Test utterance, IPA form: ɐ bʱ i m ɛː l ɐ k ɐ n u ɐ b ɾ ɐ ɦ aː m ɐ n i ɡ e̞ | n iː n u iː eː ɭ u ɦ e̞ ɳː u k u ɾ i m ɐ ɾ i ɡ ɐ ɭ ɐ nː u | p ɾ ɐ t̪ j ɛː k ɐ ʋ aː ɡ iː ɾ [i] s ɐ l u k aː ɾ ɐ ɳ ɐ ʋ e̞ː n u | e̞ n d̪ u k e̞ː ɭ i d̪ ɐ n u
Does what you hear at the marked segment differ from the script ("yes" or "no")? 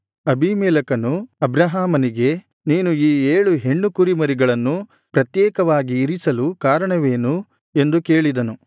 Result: no